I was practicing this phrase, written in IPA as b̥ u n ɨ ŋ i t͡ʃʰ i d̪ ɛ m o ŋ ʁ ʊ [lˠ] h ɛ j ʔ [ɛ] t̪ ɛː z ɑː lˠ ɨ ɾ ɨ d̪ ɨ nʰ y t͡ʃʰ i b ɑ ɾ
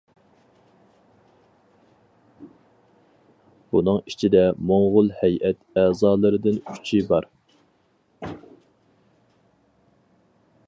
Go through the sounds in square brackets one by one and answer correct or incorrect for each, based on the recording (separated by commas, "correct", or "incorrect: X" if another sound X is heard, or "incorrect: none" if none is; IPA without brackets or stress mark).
correct, correct